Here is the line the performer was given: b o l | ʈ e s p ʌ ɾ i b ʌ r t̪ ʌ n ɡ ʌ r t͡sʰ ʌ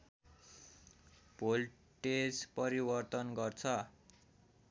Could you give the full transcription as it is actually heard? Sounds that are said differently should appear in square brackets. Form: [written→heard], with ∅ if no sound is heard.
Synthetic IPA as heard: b o l | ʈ e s p ʌ ɾ i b ʌ r t̪ ʌ n ɡ ʌ r t͡sʰ ʌ